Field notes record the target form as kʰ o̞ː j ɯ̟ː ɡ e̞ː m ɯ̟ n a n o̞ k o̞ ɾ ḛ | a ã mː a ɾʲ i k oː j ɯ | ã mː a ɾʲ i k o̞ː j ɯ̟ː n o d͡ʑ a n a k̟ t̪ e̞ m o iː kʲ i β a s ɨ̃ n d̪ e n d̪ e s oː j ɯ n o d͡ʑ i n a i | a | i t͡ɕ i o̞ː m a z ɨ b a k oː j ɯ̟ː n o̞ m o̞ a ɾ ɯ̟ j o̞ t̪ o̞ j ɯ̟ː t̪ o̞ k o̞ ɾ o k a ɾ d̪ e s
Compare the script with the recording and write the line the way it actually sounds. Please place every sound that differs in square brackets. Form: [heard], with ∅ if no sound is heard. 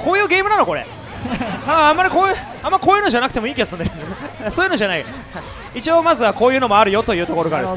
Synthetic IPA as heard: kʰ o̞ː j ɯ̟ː ɡ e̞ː m ɯ̟ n a n o̞ k o̞ ɾ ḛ | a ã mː a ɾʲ i k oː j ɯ | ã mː a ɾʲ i k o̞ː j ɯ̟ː n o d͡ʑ a n a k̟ t̪ e̞ m o iː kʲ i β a s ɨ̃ n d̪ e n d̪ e s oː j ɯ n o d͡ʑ [a] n a i | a | i t͡ɕ i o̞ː m a z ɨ [β] a k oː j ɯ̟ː n o̞ m o̞ a ɾ ɯ̟ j o̞ t̪ o̞ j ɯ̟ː t̪ o̞ k o̞ ɾ o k a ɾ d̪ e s